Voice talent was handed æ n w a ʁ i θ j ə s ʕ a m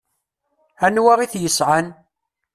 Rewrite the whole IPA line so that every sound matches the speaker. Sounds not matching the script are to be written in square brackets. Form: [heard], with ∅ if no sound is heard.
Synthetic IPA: æ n w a ʁ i θ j ə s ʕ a [n]